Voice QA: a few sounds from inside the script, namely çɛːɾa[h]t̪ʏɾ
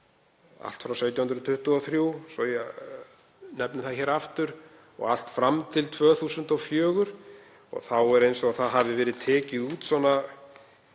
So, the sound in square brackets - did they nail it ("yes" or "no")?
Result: no